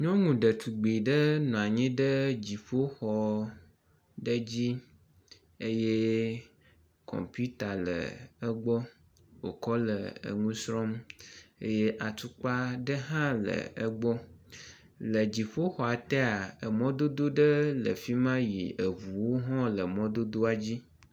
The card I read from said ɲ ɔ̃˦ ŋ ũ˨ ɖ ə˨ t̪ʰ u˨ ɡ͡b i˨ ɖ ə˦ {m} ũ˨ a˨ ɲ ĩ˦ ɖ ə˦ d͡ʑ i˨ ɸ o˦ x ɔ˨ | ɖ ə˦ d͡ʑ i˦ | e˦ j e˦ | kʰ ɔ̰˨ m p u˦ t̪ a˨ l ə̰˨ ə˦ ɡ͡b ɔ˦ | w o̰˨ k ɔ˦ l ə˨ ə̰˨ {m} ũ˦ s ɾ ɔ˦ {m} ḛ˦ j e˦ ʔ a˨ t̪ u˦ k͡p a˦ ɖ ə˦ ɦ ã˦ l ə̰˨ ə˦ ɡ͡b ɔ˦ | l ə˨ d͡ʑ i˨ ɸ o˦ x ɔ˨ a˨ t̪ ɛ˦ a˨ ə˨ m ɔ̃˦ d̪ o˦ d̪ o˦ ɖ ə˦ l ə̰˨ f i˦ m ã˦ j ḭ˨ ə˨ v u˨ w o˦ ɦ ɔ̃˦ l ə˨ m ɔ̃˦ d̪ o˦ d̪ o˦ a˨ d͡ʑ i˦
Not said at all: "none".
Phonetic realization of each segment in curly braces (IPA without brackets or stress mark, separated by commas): n, ŋ, m